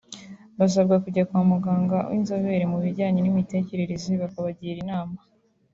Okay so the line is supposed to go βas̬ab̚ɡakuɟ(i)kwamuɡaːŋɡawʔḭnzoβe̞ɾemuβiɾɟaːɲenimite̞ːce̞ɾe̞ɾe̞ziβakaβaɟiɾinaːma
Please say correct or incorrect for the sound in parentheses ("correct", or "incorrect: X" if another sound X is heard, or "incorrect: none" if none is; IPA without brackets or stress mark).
incorrect: a